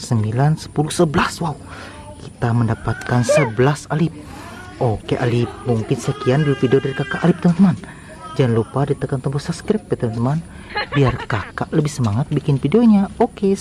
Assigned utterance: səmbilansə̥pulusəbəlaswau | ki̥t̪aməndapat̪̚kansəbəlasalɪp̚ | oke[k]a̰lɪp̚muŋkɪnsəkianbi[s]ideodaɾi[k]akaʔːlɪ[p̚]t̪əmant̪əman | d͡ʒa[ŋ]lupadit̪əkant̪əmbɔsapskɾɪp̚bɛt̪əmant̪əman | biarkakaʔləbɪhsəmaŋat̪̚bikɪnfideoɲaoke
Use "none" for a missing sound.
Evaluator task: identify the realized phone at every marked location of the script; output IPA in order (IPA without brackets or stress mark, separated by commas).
ʔ, f, k, p̚, n